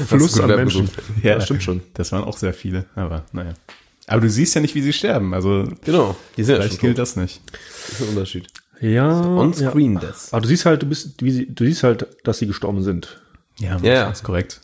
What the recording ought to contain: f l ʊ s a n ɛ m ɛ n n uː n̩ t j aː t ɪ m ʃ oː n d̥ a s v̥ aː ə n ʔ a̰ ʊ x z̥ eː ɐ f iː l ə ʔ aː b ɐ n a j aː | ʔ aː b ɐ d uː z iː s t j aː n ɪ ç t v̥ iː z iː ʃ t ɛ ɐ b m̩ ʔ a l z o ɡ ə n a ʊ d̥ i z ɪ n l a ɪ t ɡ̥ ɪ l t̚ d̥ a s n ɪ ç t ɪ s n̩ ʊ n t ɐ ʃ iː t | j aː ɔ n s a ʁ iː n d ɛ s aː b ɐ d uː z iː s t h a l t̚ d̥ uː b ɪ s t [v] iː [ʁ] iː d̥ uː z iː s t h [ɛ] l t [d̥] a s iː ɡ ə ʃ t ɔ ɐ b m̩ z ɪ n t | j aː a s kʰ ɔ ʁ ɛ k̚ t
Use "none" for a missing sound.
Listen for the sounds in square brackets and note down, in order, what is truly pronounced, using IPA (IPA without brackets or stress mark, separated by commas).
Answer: v, z, a, d̥